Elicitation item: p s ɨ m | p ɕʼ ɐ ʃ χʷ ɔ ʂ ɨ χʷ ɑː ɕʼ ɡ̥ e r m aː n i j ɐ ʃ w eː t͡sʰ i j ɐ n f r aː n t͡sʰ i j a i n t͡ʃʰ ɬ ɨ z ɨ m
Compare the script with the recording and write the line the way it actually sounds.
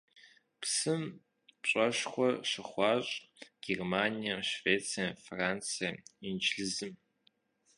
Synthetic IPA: p s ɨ m | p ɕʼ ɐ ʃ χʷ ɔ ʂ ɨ χʷ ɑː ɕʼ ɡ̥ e r m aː n i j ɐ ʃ v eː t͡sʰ i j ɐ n f r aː n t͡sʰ i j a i n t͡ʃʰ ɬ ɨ z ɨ m

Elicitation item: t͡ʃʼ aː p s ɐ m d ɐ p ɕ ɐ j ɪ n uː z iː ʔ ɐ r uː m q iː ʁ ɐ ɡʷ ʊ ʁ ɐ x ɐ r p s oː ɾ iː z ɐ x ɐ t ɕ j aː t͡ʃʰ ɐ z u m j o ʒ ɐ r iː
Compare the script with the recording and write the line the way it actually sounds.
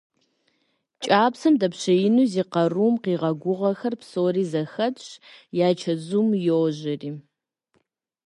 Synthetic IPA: t͡ʃʼ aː p s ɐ m d ɐ p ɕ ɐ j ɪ n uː z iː q ɐ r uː m q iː ʁ ɐ ɡʷ ʊ ʁ ɐ x ɐ r p s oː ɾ iː z ɐ x ɐ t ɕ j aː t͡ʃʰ ɐ z u m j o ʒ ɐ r iː

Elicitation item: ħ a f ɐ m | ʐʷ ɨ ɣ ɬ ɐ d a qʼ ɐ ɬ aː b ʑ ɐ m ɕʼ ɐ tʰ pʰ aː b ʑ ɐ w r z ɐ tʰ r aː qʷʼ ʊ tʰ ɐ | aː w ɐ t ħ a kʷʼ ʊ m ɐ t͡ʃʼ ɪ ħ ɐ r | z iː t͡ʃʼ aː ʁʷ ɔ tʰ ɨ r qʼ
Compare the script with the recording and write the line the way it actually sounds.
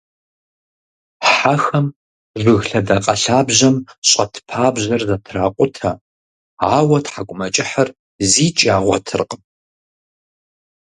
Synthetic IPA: ħ a x ɐ m | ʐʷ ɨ ɣ ɬ ɐ d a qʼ ɐ ɬ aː b ʑ ɐ m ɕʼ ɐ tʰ pʰ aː b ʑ ɐ r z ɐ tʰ r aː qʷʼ ʊ tʰ ɐ | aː w ɐ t ħ a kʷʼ ʊ m ɐ t͡ʃʼ ɪ ħ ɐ r | z iː t͡ʃʼ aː ʁʷ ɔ tʰ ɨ r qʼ

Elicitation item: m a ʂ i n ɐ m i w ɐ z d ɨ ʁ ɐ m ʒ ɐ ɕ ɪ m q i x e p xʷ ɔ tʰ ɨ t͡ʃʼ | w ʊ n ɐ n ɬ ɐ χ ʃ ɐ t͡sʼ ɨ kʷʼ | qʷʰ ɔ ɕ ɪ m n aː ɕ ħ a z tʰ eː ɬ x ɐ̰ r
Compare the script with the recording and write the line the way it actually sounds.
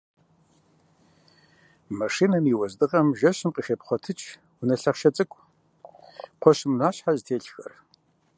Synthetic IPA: m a ʂ i n ɐ m i w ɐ z d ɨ ʁ ɐ m ʒ ɐ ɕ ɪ m q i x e p χʷ ɔ tʰ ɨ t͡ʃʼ | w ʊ n ɐ ɬ ɐ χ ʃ ɐ t͡sʼ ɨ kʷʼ | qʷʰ ɔ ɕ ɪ m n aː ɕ ħ a z tʰ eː ɬ x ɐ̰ r

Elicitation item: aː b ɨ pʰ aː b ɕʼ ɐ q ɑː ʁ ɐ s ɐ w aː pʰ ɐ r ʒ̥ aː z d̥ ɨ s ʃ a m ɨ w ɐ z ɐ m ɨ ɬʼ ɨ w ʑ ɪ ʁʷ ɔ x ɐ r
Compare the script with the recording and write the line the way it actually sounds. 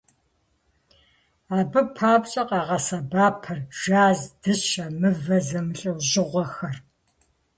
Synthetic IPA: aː b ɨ pʰ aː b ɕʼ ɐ q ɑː ʁ ɐ s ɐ b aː pʰ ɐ r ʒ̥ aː z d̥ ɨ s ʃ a m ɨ v ɐ z ɐ m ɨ ɬʼ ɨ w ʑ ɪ ʁʷ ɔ x ɐ r

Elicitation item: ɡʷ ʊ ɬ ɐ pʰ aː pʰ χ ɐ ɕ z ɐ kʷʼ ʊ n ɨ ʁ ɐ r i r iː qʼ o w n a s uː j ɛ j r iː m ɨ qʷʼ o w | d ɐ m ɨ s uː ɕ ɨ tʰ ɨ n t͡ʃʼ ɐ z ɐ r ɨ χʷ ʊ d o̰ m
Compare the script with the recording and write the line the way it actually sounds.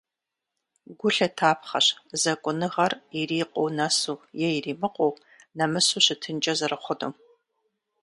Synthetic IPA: ɡʷ ʊ ɬ ɐ tʰ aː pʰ χ ɐ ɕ z ɐ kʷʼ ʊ n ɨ ʁ ɐ r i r iː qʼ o w n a s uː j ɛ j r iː m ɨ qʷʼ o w | n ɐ m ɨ s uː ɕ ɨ tʰ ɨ n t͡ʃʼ ɐ z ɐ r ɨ χʷ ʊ d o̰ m

